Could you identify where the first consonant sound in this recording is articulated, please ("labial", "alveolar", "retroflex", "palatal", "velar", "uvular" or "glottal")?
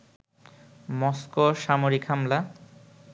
labial